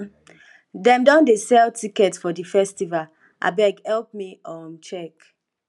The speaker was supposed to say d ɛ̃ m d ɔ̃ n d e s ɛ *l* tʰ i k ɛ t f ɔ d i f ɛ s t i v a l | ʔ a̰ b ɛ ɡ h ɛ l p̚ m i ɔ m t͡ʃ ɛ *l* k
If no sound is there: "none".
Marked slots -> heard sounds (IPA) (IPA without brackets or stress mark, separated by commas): l, none